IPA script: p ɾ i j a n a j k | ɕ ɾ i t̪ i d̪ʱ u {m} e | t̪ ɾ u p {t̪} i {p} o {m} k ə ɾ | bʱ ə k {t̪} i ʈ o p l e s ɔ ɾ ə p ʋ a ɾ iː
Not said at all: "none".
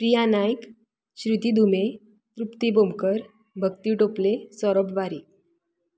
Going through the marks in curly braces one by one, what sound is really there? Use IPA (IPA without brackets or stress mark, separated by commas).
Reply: m, t̪, b, m, t̪